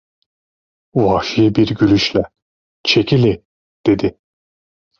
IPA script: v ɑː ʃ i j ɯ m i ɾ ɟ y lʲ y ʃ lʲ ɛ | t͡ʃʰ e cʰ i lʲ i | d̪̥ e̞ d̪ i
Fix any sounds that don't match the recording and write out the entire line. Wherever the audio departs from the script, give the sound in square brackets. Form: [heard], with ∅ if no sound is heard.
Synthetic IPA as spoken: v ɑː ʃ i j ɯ [b] i ɾ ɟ y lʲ y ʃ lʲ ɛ | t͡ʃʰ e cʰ i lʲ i | d̪̥ e̞ d̪ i